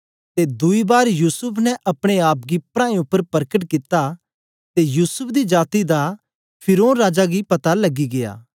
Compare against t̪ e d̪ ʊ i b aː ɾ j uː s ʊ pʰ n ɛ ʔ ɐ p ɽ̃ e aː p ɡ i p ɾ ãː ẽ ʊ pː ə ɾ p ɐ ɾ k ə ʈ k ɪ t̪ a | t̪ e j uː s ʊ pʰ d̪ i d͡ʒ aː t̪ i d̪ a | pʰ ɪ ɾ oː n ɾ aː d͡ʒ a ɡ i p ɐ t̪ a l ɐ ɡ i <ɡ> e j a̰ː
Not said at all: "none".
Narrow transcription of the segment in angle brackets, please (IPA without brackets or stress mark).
ɡ